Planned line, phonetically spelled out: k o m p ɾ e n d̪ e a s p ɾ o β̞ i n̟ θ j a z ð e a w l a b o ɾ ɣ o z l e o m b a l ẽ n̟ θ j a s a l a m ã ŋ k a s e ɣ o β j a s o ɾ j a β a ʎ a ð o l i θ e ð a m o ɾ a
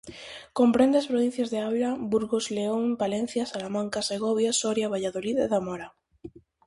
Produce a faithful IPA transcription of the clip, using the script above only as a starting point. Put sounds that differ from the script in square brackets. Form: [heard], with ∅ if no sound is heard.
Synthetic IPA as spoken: k o m p ɾ e n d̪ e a s p ɾ o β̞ i n̟ θ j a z ð e a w l a b [u] ɾ ɣ o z l e o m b a l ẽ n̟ θ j a s a l a m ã ŋ k a s e ɣ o β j a s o ɾ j a β a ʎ a ð o l i [ð] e ð a m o ɾ a